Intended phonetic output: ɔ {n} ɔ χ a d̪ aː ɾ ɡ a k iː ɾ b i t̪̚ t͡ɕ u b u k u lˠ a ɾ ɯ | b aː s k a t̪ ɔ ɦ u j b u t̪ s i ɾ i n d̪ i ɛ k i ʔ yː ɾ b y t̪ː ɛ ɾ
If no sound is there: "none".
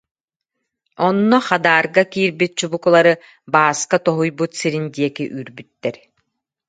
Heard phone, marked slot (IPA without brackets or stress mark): nː